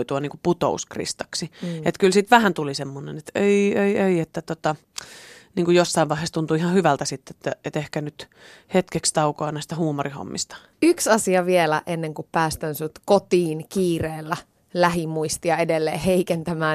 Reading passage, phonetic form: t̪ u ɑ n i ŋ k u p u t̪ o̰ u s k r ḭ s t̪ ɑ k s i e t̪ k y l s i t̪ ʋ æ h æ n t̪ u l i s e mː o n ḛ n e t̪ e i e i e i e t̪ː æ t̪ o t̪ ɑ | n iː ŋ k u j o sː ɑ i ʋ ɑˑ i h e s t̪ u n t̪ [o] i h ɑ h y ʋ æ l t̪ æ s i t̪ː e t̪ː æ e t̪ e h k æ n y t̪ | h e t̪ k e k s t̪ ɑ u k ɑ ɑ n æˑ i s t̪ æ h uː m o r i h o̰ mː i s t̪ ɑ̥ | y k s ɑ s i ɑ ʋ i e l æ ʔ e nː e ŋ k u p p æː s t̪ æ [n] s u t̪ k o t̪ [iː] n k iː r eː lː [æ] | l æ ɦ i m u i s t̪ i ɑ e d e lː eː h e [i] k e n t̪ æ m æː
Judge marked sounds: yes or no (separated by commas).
no, yes, yes, yes, yes